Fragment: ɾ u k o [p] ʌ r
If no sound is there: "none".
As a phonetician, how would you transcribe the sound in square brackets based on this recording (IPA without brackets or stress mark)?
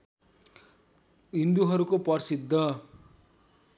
p